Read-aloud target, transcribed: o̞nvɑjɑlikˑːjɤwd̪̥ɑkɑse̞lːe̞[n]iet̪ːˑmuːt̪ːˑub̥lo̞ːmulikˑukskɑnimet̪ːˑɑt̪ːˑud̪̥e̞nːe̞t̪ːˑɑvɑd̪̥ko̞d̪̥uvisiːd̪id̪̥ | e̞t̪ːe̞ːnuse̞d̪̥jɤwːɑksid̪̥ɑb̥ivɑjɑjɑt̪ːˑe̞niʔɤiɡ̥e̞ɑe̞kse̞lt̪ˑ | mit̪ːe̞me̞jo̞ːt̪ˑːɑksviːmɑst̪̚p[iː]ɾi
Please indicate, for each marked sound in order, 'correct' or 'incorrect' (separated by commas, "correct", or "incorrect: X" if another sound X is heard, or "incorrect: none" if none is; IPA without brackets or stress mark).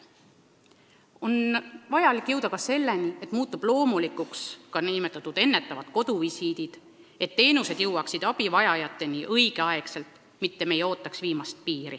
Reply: correct, correct